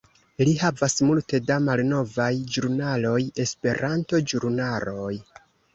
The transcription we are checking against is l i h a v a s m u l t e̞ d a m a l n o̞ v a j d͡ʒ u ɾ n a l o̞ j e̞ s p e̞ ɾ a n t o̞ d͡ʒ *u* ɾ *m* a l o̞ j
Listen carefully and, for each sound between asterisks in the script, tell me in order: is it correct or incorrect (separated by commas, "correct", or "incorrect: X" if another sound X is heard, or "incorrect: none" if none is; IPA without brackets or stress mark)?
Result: correct, incorrect: n